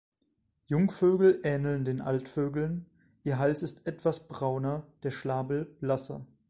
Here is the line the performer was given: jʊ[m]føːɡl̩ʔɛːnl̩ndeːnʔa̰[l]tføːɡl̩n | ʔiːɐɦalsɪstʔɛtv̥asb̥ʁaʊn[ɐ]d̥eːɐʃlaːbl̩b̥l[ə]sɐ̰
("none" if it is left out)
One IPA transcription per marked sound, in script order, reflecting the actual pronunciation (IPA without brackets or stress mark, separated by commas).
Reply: ŋ, l, ɐ, a